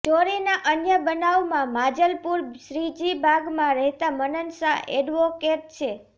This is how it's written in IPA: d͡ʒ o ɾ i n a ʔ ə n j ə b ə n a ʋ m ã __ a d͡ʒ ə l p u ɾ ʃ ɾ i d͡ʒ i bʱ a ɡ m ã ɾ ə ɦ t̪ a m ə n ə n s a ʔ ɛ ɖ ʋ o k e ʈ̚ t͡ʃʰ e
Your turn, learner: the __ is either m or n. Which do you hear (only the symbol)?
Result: m